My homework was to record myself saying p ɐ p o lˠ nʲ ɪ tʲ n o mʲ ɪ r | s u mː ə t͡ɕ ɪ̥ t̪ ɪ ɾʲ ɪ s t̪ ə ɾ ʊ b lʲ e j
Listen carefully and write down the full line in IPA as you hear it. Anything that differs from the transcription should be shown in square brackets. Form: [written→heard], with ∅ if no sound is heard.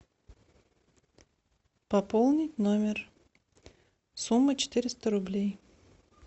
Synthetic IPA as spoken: p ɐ p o lˠ nʲ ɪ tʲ n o mʲ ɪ r | s u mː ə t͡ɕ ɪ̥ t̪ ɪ ɾʲ ɪ s t̪ ə ɾ ʊ b lʲ e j